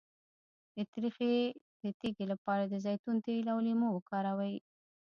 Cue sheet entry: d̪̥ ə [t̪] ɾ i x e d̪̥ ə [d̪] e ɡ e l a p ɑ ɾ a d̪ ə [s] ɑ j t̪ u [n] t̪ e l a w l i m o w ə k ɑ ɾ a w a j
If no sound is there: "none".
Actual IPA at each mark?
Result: t̪, t̪, z, n

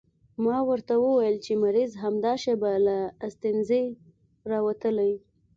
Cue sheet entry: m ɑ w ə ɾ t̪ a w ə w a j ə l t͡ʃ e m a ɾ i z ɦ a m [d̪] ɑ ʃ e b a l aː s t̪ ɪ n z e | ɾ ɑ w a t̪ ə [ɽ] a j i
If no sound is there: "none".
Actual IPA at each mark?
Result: d̪, l

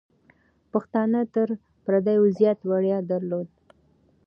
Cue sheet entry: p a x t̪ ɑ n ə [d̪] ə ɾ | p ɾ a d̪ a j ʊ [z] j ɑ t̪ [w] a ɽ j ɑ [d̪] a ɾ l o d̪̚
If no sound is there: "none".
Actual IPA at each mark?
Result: t̪, z, w, d̪

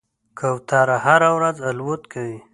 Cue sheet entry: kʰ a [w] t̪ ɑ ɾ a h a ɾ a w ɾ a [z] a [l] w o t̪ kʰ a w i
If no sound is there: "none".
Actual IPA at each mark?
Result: w, z, l

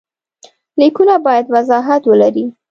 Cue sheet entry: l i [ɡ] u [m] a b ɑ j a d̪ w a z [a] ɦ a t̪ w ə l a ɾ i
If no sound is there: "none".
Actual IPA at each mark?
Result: k, n, ɑ

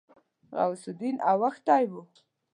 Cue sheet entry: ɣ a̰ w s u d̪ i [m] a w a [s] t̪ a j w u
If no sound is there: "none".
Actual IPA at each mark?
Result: n, x

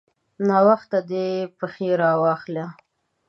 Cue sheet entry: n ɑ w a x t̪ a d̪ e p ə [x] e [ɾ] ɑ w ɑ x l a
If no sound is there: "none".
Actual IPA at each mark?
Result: x, ɾ

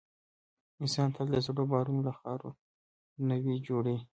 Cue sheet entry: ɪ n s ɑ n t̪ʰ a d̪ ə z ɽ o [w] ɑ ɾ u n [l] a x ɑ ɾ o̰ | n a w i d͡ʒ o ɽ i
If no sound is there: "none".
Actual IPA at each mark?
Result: b, l

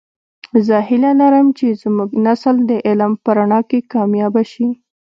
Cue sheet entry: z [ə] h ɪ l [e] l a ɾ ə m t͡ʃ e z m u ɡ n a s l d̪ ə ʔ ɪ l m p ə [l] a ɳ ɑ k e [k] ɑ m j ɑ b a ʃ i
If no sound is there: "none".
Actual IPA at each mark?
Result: ə, a, ɾ, k

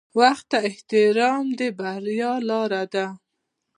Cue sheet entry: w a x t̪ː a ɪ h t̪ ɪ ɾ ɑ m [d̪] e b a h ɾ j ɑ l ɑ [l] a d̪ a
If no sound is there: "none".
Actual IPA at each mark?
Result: d̪, ɾ

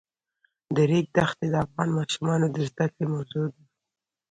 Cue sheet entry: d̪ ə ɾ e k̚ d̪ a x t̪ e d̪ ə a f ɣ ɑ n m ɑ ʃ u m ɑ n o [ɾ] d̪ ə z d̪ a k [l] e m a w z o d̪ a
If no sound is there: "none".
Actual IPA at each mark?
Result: none, ɽ

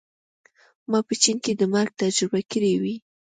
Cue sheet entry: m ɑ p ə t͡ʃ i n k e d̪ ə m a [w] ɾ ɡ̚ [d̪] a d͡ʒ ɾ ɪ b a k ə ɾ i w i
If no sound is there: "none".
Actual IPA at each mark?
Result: none, t̪

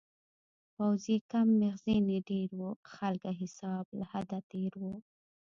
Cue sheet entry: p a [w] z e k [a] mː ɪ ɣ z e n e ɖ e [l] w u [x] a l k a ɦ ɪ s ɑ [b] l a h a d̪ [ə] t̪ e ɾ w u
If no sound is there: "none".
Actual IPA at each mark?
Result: w, a, ɾ, x, b, a

